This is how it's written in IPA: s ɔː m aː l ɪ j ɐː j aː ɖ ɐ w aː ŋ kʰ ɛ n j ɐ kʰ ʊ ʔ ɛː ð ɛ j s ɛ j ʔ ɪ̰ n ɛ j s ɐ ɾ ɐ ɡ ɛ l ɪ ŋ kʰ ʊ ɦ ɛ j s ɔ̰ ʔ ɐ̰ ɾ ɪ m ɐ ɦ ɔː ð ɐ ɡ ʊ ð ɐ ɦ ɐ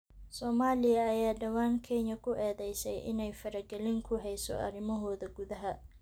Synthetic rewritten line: s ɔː m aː l ɪ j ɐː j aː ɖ ɐ w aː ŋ kʰ ɛ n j ɐ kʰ ʊ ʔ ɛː ð ɛ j s ɛ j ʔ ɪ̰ n ɛ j f ɐ ɾ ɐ ɡ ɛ l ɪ ŋ kʰ ʊ ɦ ɛ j s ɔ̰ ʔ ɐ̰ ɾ ɪ m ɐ ɦ ɔː ð ɐ ɡ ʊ ð ɐ ɦ ɐ